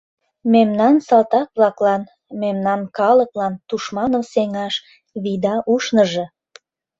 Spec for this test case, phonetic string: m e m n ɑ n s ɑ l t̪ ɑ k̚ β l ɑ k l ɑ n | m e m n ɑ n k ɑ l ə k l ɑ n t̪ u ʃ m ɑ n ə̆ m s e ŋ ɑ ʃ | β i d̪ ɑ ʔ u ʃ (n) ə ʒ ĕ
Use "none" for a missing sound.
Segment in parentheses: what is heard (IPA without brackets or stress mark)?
n